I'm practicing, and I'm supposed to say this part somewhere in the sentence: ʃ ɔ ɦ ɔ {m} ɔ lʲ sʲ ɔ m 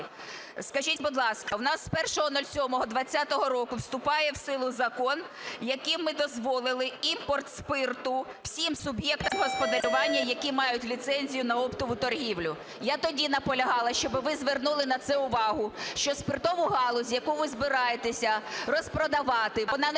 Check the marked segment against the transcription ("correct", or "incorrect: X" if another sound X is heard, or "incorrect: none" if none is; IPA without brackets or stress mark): incorrect: n